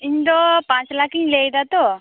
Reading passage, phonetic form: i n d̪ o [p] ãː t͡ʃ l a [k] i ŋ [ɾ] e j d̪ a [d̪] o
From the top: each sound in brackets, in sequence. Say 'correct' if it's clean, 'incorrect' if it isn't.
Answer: correct, correct, incorrect, incorrect

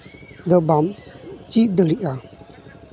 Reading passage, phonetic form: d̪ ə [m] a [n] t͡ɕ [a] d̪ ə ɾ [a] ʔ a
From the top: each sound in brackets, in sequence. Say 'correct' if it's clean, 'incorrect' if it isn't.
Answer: incorrect, incorrect, incorrect, incorrect

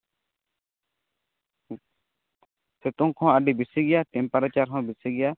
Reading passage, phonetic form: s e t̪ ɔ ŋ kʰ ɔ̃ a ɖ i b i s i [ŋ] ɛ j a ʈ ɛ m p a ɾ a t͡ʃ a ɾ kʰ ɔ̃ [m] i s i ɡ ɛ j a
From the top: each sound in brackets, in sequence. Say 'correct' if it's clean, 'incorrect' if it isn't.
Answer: incorrect, incorrect

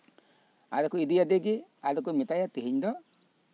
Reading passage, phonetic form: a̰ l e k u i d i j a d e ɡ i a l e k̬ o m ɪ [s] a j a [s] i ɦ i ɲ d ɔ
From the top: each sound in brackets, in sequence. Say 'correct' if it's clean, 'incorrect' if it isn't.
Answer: incorrect, incorrect

